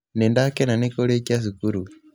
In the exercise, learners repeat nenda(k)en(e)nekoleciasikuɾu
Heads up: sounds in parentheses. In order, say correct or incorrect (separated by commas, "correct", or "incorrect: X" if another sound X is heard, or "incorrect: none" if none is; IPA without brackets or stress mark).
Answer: correct, incorrect: a